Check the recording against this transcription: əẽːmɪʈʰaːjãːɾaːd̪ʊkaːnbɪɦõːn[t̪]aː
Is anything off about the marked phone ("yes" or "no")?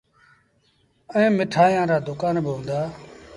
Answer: yes